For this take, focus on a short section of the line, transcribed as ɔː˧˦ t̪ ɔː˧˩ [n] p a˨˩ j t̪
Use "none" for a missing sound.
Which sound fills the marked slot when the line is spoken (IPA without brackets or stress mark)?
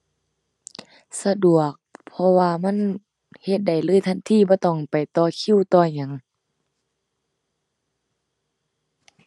ŋ